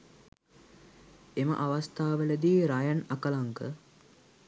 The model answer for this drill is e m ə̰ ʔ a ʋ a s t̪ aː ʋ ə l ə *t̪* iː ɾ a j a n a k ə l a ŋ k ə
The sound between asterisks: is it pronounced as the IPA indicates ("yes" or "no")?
no